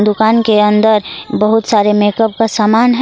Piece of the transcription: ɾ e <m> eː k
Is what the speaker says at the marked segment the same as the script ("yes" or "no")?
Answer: yes